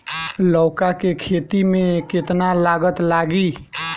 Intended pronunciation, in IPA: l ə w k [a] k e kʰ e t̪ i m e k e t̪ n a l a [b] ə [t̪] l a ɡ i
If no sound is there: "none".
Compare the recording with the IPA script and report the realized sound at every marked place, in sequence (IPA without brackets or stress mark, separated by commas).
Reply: a, ɡ, t̪